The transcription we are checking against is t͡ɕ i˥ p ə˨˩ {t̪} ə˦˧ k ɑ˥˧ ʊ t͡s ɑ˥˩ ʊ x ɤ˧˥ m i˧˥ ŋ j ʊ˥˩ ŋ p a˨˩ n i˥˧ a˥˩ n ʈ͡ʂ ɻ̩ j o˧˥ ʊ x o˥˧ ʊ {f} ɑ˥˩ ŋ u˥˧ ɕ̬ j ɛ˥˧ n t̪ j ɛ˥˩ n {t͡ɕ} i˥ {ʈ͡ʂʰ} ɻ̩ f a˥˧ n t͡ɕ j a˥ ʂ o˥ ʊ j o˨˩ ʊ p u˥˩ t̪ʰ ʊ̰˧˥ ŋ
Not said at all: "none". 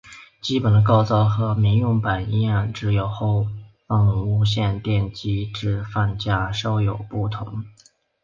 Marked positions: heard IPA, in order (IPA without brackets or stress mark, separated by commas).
d̪, f, t͡ɕ, ʈ͡ʂ